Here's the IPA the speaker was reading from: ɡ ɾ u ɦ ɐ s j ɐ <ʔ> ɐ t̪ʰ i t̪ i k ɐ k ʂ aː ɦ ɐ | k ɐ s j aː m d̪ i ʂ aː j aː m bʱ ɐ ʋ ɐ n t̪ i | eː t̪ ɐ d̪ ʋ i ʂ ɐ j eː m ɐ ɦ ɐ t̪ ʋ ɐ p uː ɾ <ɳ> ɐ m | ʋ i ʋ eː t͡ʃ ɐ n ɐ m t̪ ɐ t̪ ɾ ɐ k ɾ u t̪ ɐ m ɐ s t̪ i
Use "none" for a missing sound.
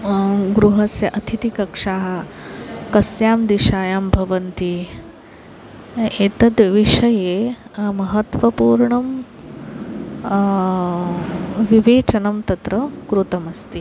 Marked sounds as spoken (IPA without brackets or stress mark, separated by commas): ʔ, ɳ